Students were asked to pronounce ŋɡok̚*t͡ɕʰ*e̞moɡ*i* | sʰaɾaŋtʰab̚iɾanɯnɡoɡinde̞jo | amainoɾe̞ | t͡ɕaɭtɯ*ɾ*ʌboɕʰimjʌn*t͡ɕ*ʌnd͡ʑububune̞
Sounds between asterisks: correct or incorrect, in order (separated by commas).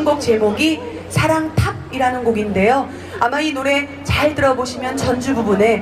incorrect, correct, correct, correct